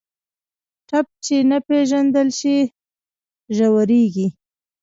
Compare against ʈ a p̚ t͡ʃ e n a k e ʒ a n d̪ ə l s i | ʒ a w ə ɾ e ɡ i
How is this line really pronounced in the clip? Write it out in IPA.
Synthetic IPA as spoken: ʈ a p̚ t͡ʃ e n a p e ʒ a n d̪ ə l ʃ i | ʒ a w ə ɾ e ɡ i